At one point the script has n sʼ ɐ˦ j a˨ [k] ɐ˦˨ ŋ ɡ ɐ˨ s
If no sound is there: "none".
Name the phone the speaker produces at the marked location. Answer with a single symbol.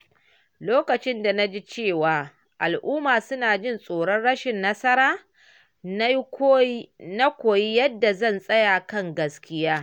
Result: k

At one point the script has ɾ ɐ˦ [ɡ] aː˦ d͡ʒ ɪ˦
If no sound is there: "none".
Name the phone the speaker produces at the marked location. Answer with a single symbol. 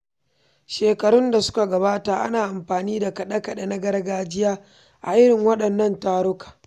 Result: ɡ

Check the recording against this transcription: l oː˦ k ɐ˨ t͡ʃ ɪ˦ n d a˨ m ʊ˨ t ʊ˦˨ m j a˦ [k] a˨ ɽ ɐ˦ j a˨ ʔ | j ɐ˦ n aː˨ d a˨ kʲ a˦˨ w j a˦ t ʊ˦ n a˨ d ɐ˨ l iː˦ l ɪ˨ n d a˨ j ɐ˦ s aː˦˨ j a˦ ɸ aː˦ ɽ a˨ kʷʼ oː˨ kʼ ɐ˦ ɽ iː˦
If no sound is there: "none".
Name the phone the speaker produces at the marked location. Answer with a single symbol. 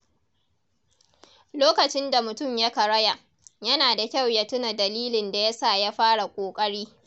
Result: k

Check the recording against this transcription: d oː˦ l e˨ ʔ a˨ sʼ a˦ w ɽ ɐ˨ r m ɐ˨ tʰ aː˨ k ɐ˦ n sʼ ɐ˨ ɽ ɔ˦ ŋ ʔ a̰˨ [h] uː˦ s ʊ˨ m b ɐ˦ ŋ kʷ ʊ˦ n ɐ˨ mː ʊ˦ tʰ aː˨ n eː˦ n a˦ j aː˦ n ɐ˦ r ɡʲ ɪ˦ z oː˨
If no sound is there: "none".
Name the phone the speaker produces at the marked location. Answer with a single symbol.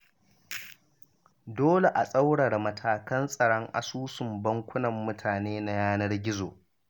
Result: s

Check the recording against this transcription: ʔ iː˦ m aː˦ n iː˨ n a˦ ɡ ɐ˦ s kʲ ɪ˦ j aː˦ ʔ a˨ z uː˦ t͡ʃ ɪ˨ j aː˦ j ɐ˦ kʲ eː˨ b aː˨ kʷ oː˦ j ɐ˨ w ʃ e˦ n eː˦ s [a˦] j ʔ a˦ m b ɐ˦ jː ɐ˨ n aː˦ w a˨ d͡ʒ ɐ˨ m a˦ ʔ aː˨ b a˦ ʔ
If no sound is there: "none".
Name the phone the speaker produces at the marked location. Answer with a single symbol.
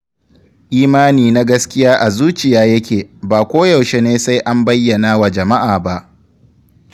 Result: a˦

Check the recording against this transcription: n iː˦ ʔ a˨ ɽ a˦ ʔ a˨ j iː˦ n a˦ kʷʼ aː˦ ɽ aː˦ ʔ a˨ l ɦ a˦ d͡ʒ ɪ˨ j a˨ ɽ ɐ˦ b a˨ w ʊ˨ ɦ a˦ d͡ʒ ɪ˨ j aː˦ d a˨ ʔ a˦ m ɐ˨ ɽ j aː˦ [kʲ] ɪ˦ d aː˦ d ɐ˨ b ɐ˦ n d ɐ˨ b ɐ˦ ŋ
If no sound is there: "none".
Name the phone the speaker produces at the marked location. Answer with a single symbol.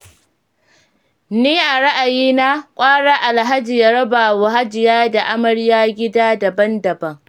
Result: ɡʲ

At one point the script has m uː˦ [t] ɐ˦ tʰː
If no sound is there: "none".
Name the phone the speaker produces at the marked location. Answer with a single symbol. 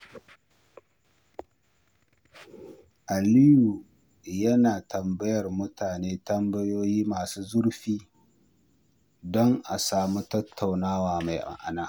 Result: t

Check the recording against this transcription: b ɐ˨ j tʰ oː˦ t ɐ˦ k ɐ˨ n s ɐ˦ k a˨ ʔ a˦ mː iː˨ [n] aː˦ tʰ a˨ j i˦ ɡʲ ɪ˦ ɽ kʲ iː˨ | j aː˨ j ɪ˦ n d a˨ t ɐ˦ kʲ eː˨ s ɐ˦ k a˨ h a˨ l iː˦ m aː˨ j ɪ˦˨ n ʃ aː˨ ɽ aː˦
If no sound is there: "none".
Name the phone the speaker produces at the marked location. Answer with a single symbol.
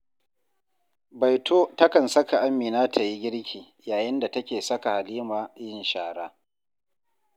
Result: n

